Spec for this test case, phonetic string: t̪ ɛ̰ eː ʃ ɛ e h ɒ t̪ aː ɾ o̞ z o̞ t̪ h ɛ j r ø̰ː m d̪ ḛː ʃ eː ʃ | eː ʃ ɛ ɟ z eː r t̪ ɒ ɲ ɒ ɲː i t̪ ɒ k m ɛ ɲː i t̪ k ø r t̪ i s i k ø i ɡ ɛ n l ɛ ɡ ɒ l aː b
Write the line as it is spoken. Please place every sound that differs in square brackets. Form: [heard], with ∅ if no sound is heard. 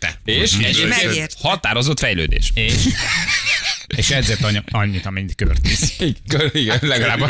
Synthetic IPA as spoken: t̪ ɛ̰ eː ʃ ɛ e h ɒ t̪ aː ɾ o̞ z o̞ t̪ [f] ɛ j [l] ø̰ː [∅] d̪ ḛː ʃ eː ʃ | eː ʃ ɛ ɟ z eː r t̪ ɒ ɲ ɒ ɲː i t̪ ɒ [∅] m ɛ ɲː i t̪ k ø r t̪ i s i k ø i ɡ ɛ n l ɛ ɡ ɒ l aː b